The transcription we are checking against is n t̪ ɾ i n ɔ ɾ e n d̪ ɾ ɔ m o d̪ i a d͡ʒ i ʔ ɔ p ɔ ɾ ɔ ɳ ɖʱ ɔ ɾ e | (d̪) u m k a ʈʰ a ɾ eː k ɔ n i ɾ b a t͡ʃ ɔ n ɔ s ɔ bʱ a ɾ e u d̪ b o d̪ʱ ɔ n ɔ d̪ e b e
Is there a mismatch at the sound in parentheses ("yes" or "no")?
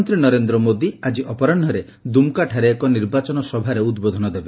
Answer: no